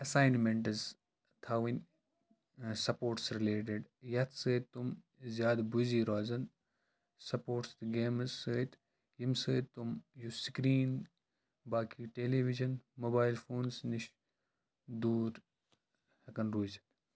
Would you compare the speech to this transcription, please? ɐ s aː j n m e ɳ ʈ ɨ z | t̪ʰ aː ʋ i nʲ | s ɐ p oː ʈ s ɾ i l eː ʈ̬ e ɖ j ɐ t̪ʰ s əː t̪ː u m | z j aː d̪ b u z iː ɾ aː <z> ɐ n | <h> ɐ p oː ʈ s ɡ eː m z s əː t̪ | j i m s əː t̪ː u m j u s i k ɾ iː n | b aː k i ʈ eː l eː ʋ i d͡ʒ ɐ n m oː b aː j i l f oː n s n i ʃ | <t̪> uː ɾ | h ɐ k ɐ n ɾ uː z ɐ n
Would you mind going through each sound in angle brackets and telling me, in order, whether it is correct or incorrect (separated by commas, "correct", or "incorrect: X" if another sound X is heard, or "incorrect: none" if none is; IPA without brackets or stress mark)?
correct, incorrect: s, incorrect: d̪